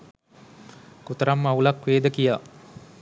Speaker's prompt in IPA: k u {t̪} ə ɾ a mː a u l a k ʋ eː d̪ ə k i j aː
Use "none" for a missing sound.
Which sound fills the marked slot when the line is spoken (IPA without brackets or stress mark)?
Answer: t̪